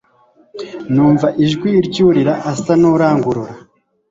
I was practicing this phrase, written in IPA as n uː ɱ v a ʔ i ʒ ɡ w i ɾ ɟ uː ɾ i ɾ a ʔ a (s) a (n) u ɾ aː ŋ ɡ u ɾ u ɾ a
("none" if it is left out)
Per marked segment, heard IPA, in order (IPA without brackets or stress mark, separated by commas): s, n